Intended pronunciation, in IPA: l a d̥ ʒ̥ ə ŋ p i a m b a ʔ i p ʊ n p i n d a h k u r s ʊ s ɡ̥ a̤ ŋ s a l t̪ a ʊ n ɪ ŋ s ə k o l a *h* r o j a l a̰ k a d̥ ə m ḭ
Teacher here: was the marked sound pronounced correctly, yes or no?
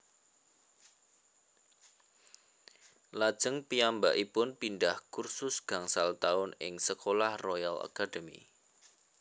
yes